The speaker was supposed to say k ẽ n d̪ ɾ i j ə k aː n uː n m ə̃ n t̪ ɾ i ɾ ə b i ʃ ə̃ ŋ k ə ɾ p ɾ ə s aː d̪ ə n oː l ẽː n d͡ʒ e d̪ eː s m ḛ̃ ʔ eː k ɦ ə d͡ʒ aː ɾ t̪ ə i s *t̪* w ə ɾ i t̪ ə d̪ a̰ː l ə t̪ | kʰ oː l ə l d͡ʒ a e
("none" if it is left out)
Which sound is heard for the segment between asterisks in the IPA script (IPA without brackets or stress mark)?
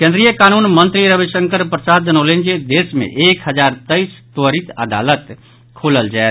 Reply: t̪